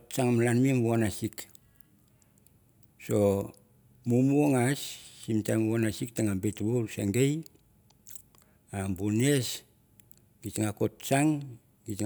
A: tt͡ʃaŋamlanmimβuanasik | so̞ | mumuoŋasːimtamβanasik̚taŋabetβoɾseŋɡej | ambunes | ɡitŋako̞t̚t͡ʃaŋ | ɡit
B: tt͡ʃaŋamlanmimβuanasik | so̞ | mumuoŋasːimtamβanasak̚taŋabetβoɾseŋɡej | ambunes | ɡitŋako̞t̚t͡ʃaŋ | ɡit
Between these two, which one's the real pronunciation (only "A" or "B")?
A